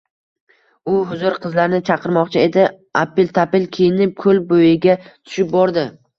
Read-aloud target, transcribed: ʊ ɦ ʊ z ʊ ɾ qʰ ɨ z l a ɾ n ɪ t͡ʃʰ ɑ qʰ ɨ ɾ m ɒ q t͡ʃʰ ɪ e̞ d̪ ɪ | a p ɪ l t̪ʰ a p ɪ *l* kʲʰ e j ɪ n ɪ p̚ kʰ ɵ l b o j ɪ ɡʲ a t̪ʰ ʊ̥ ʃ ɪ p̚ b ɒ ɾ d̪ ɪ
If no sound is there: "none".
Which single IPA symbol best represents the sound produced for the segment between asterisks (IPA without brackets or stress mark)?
l